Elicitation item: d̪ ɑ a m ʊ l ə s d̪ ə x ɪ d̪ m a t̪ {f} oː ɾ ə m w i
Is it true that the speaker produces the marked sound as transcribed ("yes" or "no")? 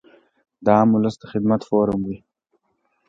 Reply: yes